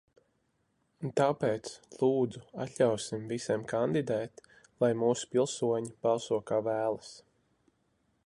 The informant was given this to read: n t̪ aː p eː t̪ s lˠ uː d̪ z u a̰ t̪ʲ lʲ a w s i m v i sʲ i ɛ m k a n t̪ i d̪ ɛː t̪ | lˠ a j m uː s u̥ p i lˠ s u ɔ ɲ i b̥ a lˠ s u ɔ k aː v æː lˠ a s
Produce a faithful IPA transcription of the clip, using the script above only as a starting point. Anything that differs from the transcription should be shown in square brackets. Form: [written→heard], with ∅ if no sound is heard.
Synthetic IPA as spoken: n t̪ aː p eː t̪ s lˠ uː d̪ z u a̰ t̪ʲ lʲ a w s i m v i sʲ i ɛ m k a n [t̪→d̪] i d̪ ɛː t̪ | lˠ a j m uː s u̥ p i lˠ s u ɔ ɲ i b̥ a lˠ s u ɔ k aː v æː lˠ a s